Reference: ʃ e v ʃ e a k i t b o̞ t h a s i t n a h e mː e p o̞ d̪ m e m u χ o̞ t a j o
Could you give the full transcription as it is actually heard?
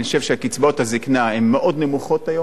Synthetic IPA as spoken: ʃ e v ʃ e a k i t͡s b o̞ t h a z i k n a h e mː e ʔ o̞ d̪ n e m u χ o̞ t a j o